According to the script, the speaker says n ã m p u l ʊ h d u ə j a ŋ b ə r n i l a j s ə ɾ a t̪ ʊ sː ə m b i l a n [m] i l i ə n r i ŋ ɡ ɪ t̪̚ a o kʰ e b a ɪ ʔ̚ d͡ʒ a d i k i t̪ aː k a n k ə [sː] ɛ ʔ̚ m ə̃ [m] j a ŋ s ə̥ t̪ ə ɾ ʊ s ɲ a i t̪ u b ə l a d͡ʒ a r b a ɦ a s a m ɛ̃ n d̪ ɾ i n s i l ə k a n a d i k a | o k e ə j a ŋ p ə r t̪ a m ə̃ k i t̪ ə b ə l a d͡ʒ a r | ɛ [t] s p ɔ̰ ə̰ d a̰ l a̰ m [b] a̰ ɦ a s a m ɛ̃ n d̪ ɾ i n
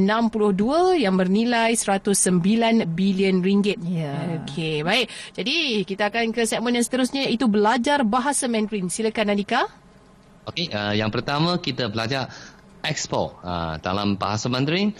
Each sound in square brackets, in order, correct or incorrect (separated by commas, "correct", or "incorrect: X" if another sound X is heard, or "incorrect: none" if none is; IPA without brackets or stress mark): incorrect: b, incorrect: s, incorrect: n, incorrect: k, correct